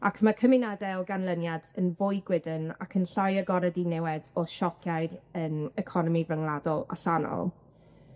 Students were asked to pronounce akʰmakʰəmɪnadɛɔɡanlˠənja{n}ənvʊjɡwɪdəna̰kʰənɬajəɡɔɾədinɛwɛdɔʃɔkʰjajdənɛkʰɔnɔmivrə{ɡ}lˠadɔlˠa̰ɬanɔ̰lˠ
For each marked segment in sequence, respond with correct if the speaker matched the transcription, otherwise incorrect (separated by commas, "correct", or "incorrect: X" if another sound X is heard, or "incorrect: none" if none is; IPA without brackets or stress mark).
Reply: incorrect: d, incorrect: ŋ